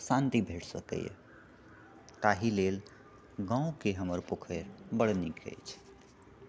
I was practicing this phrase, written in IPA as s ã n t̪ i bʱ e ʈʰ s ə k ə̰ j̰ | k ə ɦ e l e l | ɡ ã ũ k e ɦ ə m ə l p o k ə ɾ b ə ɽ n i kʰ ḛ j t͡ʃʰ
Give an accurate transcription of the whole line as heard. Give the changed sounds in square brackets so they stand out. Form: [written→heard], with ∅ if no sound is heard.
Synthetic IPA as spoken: s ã n t̪ i bʱ e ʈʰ s ə k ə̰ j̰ | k [ə→a] ɦ [e→i] l e l | ɡ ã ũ k e ɦ ə m ə [l→ɾ] p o [k→kʰ] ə ɾ b ə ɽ n i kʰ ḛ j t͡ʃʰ